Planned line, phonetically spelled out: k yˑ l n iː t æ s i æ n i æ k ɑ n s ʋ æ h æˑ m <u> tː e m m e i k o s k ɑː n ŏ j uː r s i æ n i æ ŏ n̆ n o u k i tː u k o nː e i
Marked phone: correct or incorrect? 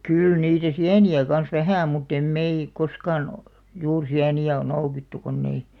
correct